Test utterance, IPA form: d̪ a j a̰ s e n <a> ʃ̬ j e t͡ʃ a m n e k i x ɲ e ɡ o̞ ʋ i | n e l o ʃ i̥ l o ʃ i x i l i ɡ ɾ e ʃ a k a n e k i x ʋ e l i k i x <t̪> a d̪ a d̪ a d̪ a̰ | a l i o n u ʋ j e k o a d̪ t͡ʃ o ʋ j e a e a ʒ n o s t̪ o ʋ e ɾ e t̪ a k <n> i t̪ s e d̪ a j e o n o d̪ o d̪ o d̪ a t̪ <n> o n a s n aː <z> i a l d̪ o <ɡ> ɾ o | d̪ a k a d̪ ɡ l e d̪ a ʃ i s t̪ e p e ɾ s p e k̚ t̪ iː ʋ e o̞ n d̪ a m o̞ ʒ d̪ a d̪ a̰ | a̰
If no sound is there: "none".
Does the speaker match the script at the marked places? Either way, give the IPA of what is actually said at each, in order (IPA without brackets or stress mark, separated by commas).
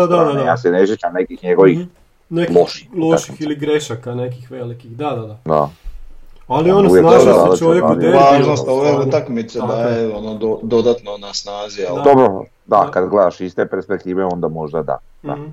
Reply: e, d̪, m, n, z, b